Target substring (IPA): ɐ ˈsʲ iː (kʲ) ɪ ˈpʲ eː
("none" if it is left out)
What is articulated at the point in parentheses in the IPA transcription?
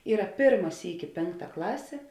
kʲ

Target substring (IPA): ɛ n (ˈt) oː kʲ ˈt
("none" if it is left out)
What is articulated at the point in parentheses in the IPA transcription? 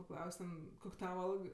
k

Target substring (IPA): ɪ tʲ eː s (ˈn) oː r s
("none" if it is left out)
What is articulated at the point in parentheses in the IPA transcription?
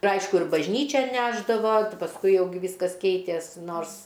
n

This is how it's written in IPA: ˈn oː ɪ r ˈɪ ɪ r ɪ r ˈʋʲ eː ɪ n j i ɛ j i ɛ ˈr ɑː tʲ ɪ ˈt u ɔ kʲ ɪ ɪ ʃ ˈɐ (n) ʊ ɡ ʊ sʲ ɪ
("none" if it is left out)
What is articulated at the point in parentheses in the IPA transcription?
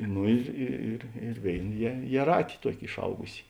none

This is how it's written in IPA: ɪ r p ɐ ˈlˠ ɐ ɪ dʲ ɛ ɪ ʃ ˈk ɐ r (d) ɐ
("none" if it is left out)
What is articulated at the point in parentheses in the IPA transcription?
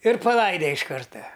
t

